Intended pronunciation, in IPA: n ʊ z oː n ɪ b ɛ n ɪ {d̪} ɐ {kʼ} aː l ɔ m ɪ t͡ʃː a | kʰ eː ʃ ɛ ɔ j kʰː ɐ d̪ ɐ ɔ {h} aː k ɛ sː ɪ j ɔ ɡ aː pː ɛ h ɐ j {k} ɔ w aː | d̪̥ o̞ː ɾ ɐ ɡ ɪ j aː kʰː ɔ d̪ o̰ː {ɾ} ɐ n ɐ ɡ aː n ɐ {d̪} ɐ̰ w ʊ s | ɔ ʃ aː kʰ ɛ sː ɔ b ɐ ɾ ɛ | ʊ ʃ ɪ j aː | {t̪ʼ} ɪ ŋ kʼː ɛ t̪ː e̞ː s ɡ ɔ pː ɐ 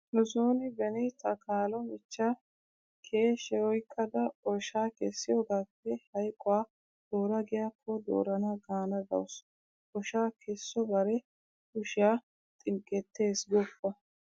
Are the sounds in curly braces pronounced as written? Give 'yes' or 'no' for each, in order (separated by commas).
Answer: no, no, no, no, yes, yes, yes